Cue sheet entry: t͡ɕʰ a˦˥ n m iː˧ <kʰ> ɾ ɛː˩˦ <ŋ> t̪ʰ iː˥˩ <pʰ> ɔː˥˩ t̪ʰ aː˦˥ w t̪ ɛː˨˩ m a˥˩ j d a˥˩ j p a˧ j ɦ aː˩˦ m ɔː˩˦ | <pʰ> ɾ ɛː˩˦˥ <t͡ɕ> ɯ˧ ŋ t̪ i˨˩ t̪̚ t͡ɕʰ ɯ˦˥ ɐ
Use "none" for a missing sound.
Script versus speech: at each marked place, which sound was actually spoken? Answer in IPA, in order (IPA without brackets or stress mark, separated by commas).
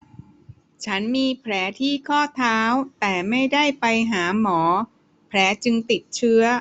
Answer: pʰ, none, kʰ, pʰ, t͡ɕ